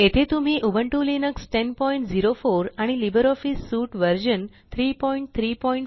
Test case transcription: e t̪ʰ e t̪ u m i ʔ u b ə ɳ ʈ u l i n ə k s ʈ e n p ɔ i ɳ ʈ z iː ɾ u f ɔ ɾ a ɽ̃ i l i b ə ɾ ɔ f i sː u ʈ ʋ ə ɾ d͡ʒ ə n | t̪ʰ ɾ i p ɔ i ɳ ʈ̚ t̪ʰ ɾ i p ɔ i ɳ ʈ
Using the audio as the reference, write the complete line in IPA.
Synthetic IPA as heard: e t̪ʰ e t̪ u m i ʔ u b ə ɳ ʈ u l i n ə k s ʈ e n p ɔ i ɳ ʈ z i ɾ o f o ɾ a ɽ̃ i l i b ə ɾ ɔ f i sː u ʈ ʋ ə ɾ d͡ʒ ə n | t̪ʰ ɾ i p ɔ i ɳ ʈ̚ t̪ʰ ɾ i p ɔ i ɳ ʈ

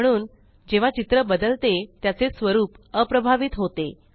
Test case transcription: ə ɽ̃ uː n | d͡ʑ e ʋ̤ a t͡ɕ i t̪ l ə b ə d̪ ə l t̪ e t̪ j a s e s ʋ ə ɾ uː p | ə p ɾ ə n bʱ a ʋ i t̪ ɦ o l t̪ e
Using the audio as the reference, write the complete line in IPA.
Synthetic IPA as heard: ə ɽ̃ uː n | d͡ʑ e ʋ̤ a t͡ɕ i t̪ ɾ ə b ə d̪ ə l t̪ e t̪ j a t͡s e s ʋ ə ɾ uː p | ə p ɾ ə bʱ a ʋ i t̪ ɦ o t̪ e

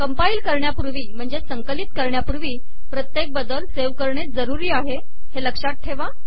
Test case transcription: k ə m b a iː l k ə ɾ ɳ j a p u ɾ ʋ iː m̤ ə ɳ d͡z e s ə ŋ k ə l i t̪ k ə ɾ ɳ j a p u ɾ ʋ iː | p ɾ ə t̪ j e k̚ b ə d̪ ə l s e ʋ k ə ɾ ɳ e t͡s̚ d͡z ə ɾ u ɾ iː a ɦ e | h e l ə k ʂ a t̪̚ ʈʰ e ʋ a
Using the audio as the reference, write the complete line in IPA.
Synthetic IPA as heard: k ə m p a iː l k ə ɾ ɳ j a p u ɾ ʋ iː m̤ ə ɳ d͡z e s ə ŋ k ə l i t̪ k ə ɾ ɳ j a p u ɾ ʋ iː | p ɾ ə t̪ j e k̚ b ə d̪ ə l s e ʋ k ə ɾ ɳ e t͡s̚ d͡z ə ɾ u ɾ iː a ɦ e | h e l ə k ʂ a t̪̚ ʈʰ e ʋ a

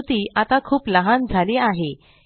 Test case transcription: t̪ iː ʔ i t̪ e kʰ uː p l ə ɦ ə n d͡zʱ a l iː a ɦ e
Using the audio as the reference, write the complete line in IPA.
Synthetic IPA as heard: t̪ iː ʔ a t̪ a kʰ uː p l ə ɦ a n d͡zʱ a l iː a ɦ e

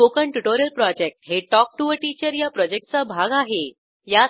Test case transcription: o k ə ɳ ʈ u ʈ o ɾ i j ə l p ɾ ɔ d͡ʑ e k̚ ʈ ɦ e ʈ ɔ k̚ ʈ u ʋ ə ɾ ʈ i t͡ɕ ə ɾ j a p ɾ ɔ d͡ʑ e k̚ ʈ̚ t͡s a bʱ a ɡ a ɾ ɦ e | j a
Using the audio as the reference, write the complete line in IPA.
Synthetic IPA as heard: o k ə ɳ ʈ u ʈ o ɾ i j ə l p ɾ ɔ d͡ʑ e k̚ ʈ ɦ e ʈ ɔ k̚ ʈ u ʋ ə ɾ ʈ i t͡ɕ ə ɾ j a p ɾ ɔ d͡ʑ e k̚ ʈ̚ t͡s a bʱ a ɡ a ɦ e | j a

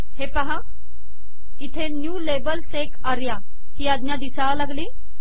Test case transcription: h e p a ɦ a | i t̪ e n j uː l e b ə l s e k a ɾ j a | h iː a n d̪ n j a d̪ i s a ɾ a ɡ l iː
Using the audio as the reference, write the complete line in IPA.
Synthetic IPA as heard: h e p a ɦ a | i t̪ʰ e n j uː l e b ə l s e k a ɾ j a | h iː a d̪ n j a d̪ i s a l a ɡ l iː

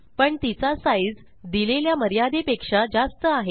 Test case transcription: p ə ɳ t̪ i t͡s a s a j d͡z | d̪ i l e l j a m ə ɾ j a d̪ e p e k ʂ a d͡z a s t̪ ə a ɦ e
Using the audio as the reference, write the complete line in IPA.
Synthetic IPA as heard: p ə ɳ t̪ i t͡s a s a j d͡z | d̪ i l e l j a m ə ɾ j a d̪ e p e k ʂ a d͡z a s t̪ ə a ɦ e

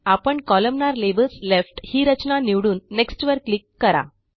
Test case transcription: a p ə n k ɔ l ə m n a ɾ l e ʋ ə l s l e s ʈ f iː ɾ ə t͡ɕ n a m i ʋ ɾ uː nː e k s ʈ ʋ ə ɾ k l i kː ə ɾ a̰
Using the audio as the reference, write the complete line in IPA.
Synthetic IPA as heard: a p ə ɳ k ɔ l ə m n a ɾ l e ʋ ə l s l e f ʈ h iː ɾ ə t͡ɕ n a n i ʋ ɽ uː nː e k s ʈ ʋ ə ɾ k l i kː ə ɾ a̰

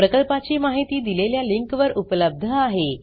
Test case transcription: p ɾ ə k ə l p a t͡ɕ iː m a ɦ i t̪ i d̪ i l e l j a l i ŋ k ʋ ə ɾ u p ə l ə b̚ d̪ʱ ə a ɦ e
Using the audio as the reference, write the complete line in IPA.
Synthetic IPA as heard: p ɾ ə k ə l p a t͡ɕ iː m a ɦ i t̪ iː d̪ i l e l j a l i ŋ k ʋ ə ɾ u p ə l ə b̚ d̪ʱ ə a ɦ e

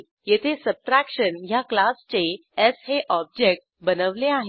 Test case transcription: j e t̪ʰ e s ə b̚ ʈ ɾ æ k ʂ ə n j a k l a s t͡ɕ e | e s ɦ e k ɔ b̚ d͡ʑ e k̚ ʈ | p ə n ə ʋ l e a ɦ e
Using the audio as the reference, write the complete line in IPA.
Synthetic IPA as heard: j e t̪ʰ e s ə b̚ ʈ ɾ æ k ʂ ə n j a k l a s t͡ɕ e | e s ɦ e ʔ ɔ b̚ d͡ʑ e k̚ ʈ | b ə n ə ʋ l e a ɦ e

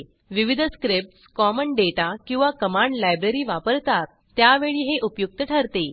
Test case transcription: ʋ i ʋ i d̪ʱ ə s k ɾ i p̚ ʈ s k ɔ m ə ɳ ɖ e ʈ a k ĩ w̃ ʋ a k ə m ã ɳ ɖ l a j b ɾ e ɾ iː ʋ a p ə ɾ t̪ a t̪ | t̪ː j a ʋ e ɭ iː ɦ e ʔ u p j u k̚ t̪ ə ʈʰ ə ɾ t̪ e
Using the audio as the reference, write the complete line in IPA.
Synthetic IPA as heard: ʋ i ʋ i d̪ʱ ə s k ɾ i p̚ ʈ s k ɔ m ə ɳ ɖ e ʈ a k ĩ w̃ ʋ a k ə m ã ɳ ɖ l a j b ɾ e ɾ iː ʋ a p ə ɾ t̪ a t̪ | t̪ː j a ʋ e ɭ iː ɦ e ʔ u p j u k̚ t̪ ə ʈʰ ə ɾ t̪ e

